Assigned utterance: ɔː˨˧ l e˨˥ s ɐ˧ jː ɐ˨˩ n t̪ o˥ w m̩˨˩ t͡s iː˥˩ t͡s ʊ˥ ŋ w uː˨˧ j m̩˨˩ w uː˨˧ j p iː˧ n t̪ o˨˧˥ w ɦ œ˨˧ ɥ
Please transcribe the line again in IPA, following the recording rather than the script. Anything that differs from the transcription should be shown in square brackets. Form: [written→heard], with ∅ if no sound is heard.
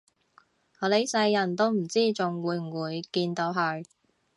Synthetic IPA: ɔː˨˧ l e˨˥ s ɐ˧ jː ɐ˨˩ n t̪ o˥ w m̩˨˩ t͡s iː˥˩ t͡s [ʊ˥→ʊ˨] ŋ w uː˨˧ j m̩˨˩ w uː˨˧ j [p→k] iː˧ n t̪ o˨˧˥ w ɦ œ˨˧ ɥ